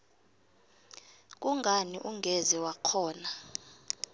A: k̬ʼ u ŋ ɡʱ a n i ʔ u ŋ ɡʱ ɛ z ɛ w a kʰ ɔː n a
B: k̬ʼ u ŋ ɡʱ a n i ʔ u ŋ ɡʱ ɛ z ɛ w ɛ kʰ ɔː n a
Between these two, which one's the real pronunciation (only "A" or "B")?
A